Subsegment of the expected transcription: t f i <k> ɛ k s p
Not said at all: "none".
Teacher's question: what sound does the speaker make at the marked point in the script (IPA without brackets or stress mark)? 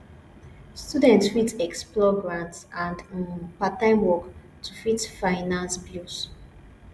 t